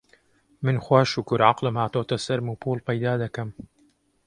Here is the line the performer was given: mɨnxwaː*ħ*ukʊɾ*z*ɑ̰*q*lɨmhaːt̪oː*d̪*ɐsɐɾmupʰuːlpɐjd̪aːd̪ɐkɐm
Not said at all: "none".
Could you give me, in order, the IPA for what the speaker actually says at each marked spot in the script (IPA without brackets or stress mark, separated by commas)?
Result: ʃ, ʕ, q, t̪